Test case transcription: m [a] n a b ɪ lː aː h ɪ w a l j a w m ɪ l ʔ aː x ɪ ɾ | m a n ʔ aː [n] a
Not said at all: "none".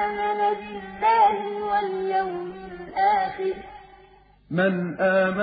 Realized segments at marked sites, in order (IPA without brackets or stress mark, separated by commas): a, m